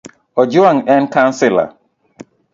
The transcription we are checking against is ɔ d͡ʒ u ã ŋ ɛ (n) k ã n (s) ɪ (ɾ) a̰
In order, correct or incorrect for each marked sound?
correct, correct, incorrect: l

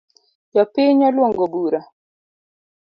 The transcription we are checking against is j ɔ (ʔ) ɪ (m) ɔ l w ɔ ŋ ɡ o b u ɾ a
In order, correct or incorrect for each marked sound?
incorrect: p, incorrect: ɲ

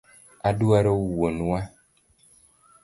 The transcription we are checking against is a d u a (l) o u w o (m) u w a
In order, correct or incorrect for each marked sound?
incorrect: ɾ, incorrect: n

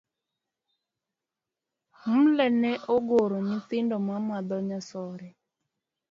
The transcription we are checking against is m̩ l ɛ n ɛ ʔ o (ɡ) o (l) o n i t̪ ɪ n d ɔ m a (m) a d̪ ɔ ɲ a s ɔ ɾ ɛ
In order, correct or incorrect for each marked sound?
correct, incorrect: ɾ, correct

